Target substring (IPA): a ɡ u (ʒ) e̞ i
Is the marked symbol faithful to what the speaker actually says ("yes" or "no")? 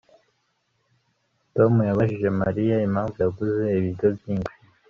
no